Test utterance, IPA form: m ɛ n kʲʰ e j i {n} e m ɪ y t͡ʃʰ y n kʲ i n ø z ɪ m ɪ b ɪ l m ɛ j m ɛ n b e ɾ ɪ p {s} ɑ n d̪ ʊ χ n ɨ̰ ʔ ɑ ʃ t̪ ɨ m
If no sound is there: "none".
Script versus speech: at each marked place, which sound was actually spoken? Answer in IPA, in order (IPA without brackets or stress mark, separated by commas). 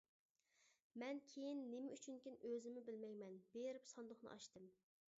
nː, s